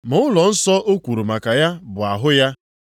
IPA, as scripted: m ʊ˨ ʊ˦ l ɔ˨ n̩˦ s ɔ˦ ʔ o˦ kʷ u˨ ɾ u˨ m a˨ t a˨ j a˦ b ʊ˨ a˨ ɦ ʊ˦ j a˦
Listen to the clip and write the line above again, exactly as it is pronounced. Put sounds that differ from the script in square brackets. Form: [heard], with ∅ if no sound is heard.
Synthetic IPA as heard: m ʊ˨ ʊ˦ l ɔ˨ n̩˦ s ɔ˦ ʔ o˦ kʷ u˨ ɾ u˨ m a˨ [k] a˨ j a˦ b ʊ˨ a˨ ɦ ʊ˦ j a˦